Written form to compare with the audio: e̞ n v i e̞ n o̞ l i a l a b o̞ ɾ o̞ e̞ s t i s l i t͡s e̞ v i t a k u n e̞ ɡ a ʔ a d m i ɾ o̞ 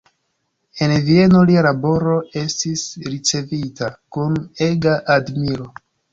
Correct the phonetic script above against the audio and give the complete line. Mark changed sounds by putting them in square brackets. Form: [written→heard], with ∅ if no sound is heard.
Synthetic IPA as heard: e̞ n v i e̞ n o̞ l i a l a b o̞ ɾ o̞ e̞ s t i s [l→ɾ] i t͡s e̞ v i t a k u n e̞ ɡ a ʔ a d m i ɾ o̞